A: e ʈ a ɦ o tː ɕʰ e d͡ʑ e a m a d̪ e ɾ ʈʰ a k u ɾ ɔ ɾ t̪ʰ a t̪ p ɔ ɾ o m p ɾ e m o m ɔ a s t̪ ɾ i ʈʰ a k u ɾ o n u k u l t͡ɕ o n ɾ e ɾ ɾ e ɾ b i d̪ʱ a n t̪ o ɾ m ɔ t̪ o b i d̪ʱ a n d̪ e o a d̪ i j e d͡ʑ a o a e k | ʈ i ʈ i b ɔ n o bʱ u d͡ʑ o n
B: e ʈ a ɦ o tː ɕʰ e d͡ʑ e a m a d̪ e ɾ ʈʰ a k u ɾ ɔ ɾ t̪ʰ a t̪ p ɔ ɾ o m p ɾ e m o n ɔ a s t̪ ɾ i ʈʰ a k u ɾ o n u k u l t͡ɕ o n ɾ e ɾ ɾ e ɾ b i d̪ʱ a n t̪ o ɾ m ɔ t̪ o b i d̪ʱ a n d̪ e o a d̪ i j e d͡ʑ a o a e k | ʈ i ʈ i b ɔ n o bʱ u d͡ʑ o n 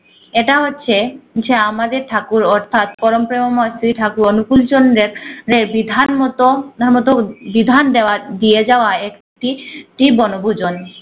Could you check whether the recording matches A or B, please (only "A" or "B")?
A